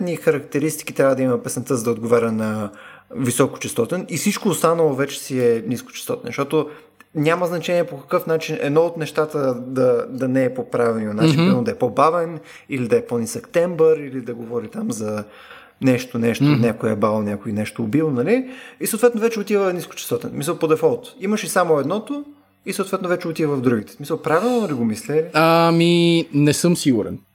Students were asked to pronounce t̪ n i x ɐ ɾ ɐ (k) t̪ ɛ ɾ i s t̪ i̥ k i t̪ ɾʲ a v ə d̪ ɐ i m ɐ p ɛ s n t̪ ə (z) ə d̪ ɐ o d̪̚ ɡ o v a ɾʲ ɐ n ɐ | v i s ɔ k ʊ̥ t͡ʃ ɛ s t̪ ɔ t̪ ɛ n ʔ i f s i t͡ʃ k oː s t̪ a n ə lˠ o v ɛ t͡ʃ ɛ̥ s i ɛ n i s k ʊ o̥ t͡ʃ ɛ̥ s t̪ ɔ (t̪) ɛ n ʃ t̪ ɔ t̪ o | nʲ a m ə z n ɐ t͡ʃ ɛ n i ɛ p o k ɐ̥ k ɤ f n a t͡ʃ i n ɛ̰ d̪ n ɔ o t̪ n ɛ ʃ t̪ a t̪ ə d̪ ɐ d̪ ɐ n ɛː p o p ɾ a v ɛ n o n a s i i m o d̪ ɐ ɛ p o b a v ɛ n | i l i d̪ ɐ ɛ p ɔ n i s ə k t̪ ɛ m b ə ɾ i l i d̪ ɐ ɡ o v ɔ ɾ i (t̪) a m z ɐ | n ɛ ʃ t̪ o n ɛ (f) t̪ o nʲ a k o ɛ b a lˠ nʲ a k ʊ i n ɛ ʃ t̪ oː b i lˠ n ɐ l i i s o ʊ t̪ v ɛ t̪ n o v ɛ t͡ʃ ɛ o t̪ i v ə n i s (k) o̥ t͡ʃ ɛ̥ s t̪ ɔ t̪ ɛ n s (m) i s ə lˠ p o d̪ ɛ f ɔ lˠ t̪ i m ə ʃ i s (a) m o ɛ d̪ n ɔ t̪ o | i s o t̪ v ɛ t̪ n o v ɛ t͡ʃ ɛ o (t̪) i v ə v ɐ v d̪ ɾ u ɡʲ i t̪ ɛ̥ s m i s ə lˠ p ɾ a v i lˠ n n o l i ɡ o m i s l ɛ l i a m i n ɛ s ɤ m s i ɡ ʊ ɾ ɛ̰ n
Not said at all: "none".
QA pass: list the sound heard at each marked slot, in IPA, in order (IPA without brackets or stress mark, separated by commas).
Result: k, z, t̪, t̪, ʃ, k, m, a, t̪